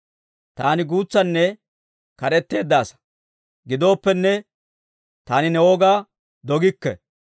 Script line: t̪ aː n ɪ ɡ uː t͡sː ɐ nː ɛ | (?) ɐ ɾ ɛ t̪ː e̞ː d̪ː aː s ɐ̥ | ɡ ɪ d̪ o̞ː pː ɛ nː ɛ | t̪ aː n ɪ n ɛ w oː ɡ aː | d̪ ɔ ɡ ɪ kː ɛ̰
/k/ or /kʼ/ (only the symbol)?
k